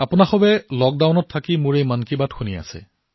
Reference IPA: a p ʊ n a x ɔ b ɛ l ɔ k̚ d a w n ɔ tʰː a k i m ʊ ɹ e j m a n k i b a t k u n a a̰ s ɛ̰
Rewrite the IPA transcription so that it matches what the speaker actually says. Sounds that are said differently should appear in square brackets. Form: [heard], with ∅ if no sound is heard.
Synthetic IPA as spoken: a p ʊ n a x ɔ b ɛ l ɔ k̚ d a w n ɔ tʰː a k i m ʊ ɹ e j m a n k i b a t [x] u n [i] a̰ s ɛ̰